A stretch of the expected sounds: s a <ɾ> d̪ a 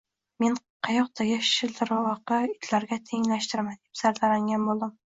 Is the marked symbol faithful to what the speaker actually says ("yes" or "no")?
yes